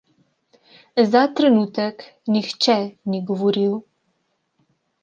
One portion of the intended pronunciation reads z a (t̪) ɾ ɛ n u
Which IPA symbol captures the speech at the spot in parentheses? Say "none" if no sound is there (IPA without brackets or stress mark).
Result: t̪